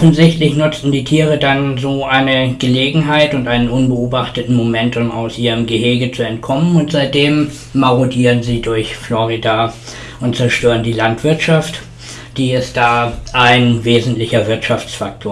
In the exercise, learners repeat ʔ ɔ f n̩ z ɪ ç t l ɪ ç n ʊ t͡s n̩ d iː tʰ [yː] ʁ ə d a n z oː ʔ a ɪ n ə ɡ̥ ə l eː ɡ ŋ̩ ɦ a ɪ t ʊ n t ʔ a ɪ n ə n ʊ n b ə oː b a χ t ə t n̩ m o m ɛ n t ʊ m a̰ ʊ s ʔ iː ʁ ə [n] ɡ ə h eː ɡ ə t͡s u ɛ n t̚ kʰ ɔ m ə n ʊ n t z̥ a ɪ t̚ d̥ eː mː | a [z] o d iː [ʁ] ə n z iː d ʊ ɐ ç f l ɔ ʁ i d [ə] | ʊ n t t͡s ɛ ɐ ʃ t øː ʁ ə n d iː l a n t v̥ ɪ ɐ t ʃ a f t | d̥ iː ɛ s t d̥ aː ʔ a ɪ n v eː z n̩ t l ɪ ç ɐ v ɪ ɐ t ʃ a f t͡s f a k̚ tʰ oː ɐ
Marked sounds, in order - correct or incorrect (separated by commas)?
incorrect, incorrect, incorrect, correct, incorrect